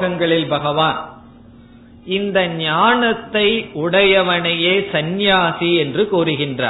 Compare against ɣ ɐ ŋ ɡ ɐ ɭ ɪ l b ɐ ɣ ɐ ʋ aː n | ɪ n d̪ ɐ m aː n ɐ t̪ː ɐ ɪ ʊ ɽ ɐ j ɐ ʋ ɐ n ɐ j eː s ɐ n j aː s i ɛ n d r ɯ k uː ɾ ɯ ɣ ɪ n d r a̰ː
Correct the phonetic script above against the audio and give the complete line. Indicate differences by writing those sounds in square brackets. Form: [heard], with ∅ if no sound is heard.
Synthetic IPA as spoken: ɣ ɐ ŋ ɡ ɐ ɭ ɪ l b ɐ ɣ ɐ ʋ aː n | ɪ n d̪ ɐ [ɲ] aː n ɐ t̪ː ɐ ɪ ʊ ɽ ɐ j ɐ ʋ ɐ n ɐ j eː s ɐ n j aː s i ɛ n d r ɯ k uː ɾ ɯ ɣ ɪ n d r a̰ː